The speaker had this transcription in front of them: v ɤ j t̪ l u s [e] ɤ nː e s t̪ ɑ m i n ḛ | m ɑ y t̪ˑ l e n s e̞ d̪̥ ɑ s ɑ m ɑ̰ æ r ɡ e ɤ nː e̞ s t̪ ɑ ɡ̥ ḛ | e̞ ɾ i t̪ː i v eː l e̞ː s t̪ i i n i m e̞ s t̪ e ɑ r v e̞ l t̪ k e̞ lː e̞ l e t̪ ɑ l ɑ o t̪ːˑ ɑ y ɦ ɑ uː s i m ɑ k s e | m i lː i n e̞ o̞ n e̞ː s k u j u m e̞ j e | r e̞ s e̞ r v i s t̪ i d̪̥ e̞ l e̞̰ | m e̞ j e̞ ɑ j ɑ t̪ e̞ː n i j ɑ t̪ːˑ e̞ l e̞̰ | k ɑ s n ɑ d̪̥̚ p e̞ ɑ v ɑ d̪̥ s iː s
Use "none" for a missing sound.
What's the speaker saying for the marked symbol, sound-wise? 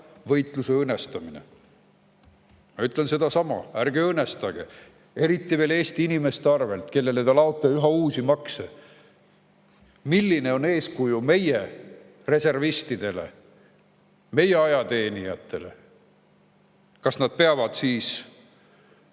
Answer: e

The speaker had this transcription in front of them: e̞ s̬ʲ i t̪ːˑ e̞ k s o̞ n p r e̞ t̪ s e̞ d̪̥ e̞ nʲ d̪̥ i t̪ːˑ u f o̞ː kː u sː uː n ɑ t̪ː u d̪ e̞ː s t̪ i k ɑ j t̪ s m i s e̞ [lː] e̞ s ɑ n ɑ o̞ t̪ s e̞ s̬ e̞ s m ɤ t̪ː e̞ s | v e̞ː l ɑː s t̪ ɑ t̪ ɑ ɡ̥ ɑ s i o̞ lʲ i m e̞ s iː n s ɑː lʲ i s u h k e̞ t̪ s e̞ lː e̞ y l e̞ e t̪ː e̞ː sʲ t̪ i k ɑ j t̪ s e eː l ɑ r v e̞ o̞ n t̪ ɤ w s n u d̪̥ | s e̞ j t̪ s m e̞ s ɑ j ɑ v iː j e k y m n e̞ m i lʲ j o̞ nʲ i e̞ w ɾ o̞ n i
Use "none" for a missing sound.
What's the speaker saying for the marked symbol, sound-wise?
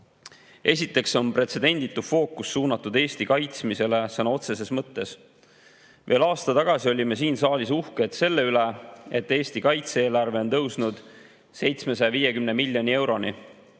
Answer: l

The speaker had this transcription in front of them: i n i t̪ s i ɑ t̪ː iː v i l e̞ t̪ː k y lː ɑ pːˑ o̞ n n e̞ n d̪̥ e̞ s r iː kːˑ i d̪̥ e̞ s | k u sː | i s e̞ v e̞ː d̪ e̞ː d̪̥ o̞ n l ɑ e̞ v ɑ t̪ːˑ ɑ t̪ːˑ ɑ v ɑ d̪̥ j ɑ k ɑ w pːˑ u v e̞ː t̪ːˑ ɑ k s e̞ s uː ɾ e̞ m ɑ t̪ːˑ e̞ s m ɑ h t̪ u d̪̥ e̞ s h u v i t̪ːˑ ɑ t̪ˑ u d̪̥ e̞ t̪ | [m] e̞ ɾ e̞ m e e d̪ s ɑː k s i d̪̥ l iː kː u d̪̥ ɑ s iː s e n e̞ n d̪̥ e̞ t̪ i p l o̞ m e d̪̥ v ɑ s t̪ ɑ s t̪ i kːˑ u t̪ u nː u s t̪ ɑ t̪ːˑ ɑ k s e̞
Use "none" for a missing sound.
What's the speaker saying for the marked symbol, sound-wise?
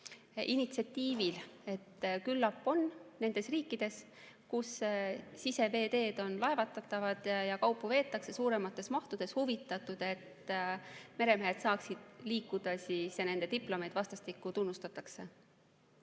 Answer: m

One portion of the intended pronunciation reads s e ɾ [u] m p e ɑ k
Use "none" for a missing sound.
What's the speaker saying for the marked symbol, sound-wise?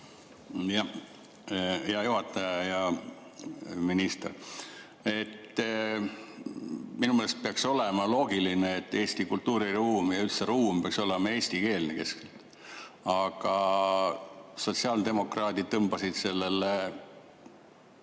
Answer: uː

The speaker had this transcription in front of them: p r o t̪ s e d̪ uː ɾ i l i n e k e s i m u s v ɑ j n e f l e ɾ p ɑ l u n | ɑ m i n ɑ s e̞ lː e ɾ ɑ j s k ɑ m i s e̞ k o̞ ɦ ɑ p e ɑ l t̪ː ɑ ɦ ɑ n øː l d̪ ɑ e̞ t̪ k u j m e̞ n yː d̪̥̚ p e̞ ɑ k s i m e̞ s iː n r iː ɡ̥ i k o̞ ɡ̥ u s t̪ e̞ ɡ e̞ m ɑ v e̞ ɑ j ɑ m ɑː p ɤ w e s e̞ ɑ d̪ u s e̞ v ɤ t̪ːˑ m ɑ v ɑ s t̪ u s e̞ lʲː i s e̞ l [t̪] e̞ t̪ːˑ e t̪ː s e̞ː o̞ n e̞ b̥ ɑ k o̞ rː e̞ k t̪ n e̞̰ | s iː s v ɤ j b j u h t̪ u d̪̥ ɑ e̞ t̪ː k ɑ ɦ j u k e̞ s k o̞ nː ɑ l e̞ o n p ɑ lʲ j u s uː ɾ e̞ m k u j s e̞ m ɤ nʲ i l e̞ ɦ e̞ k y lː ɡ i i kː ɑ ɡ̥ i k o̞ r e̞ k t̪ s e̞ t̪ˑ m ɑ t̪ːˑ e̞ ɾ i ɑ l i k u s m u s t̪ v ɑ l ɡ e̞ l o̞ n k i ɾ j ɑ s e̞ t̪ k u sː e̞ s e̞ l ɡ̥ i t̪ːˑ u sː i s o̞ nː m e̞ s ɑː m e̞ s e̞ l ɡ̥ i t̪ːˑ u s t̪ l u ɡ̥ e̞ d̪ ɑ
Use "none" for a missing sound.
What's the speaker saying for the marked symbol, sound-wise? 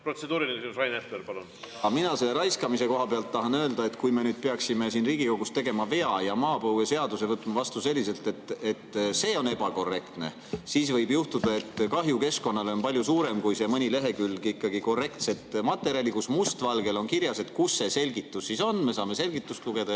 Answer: t̪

